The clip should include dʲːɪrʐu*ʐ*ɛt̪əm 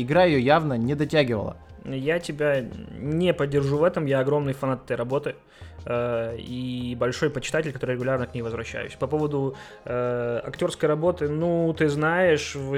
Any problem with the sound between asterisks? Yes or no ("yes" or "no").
yes